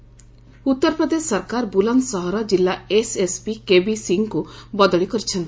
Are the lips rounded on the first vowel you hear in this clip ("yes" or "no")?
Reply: yes